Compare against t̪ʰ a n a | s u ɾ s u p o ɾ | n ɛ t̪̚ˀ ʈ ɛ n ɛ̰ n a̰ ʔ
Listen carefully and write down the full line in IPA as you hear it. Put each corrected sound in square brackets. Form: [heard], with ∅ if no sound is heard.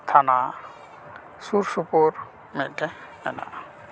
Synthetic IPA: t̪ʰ a n a | s u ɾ s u p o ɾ | [m] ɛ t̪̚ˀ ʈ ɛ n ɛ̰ n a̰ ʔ